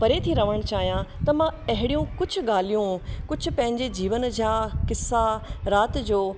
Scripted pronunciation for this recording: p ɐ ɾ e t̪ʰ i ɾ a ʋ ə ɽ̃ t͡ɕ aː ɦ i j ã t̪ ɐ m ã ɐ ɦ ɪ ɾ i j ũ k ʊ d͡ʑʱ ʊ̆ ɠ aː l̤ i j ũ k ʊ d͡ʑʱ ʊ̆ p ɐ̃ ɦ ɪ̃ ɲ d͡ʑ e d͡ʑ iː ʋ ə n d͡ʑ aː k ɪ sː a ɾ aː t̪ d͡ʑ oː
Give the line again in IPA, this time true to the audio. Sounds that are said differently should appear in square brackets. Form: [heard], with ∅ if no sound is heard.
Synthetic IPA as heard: p ɐ ɾ e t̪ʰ i ɾ [ɐ] ʋ ə ɽ̃ t͡ɕ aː ɦ i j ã t̪ ɐ m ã ɐ ɦ ɪ [ɽ] i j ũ k ʊ d͡ʑʱ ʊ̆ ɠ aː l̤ i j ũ k ʊ d͡ʑʱ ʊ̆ p ɐ̃ ɦ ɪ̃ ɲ d͡ʑ e d͡ʑ iː ʋ ə n d͡ʑ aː k ɪ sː a ɾ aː t̪ d͡ʑ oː